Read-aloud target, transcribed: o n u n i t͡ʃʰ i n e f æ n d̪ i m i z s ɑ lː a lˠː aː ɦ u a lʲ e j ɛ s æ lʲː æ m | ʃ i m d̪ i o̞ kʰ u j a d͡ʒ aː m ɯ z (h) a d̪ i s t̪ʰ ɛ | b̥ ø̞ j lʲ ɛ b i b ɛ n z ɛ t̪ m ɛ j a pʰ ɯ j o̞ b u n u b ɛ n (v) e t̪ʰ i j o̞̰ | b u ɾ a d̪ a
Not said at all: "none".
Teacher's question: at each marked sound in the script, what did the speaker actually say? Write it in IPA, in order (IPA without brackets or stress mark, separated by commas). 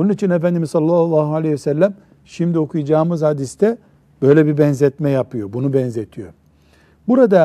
h, z